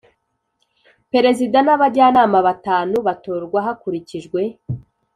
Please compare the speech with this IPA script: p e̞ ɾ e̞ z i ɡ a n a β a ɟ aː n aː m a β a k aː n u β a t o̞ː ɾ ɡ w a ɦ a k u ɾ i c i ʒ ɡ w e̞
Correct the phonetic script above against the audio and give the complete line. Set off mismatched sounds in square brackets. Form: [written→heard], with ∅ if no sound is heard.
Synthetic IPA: p e̞ ɾ e̞ z i [ɡ→d] a n a β a ɟ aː n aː m a β a [k→t] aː n u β a t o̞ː ɾ ɡ w a ɦ a k u ɾ i c i ʒ ɡ w e̞